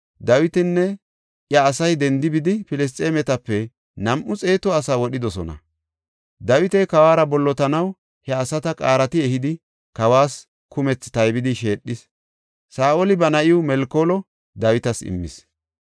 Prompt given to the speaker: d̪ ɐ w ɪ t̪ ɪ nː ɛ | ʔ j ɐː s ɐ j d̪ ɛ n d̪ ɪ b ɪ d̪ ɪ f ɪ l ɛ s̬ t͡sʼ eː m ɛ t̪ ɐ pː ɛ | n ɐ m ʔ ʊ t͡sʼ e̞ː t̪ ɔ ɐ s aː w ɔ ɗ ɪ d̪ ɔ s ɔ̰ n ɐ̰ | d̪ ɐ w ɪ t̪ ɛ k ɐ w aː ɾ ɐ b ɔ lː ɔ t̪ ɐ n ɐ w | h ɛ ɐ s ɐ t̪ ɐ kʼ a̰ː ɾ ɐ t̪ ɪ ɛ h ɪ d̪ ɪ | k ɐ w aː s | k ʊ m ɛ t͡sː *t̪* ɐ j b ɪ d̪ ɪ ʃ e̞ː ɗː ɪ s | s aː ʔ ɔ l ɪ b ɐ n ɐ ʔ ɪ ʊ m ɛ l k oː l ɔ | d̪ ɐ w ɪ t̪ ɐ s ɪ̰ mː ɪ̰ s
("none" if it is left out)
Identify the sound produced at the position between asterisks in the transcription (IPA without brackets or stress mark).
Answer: t̪